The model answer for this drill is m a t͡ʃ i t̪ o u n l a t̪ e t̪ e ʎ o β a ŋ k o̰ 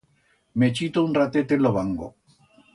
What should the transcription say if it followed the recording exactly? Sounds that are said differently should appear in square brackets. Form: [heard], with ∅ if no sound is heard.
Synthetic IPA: m [e] t͡ʃ i t̪ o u n [r] a t̪ e t̪ e [l] o β a ŋ [ɡ] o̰